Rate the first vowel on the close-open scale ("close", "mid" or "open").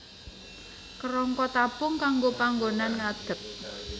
mid